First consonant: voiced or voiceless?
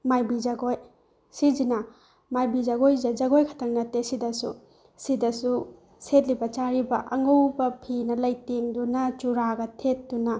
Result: voiced